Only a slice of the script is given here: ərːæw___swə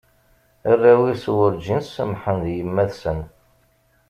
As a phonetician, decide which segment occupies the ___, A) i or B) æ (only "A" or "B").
A